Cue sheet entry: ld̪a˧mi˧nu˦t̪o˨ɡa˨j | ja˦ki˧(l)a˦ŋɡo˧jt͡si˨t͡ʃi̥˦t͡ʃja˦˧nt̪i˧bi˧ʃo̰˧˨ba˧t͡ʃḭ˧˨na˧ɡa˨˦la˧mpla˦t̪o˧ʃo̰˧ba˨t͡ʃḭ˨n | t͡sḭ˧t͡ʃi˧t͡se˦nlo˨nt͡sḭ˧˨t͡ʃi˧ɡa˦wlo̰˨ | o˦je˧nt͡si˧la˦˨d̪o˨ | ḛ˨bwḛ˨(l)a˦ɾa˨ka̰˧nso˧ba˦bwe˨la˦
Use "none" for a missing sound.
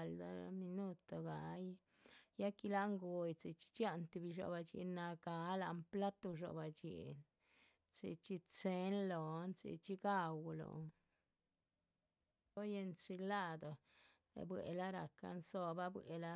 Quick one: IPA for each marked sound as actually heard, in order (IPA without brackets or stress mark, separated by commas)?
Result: l, l